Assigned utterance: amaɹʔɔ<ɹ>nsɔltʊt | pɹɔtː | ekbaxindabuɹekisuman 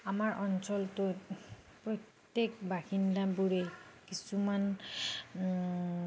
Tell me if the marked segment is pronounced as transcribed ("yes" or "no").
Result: no